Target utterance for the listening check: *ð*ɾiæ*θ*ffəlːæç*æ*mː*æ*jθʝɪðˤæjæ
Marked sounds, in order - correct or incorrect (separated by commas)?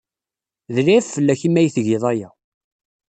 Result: correct, incorrect, incorrect, correct